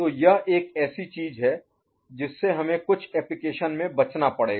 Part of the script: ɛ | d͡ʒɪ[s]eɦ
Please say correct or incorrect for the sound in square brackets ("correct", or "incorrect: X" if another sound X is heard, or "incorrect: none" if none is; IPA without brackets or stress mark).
incorrect: sː